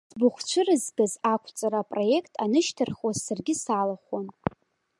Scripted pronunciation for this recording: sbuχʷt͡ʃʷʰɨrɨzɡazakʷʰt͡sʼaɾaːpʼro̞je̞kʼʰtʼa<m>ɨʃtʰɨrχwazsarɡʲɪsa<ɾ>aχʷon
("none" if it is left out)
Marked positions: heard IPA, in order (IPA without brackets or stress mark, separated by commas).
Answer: n, l